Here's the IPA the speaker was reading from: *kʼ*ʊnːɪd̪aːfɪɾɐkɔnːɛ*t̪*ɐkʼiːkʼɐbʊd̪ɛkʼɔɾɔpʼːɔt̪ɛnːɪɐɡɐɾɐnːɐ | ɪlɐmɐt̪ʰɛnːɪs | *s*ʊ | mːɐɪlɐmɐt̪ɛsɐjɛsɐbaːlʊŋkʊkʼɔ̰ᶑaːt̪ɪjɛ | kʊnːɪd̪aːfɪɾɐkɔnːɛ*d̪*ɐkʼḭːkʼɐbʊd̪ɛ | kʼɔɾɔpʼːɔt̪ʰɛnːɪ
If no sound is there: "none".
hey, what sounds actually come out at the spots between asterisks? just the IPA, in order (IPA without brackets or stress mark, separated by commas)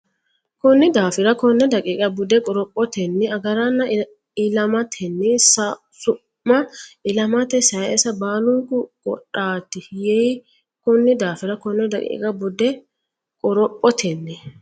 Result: k, d̪, s, d̪